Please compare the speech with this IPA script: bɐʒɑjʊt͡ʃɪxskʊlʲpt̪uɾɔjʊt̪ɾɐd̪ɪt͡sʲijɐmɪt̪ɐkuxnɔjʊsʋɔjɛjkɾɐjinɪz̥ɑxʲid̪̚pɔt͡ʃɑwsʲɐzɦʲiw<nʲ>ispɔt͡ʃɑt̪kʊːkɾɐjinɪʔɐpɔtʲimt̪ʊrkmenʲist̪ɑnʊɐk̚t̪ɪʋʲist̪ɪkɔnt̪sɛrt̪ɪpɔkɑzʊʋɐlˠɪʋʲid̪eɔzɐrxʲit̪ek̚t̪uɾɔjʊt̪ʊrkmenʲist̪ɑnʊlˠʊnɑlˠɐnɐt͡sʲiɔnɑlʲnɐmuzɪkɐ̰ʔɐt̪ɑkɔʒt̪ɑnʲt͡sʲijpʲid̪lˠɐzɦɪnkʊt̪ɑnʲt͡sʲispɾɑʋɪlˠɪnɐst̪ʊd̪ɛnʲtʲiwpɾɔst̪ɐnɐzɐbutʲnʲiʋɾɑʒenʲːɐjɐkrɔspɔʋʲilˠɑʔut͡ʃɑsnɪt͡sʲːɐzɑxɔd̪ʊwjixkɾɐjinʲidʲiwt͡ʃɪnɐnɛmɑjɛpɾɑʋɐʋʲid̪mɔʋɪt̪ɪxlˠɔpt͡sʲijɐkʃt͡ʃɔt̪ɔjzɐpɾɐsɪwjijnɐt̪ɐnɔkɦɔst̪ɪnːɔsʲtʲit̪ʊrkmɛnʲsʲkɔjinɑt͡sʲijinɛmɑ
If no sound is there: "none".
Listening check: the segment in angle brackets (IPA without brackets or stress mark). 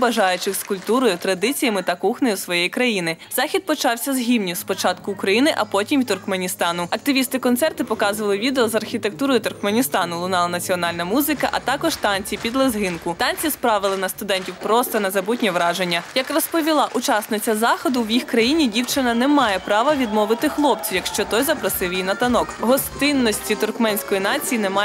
nʲ